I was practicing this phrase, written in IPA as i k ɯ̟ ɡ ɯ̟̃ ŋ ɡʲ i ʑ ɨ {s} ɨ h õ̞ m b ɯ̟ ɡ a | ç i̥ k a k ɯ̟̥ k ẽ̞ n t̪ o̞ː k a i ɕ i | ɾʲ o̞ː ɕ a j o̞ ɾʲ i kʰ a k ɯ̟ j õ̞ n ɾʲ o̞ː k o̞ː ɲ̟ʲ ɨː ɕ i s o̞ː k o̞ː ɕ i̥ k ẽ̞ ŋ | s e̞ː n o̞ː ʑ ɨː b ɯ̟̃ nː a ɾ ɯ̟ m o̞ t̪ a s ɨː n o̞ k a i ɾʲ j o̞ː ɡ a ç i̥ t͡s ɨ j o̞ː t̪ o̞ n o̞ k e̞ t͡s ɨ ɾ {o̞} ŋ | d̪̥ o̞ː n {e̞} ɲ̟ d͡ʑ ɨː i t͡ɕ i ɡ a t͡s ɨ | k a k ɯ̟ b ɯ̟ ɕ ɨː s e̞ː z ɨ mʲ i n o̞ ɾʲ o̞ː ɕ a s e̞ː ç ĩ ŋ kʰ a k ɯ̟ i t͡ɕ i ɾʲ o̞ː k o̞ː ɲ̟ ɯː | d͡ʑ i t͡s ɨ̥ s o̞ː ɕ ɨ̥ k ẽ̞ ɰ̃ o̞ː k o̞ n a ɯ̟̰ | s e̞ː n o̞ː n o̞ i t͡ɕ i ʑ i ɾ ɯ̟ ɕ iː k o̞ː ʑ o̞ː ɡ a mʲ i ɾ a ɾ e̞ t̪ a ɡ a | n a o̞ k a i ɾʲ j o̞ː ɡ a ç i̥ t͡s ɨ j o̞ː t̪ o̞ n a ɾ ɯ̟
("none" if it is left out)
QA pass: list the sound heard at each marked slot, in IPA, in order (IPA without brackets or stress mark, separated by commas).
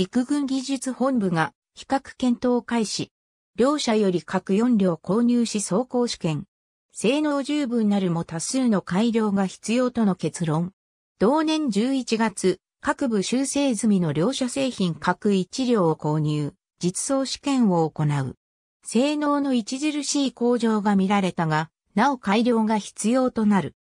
t͡s, õ̞, ẽ̞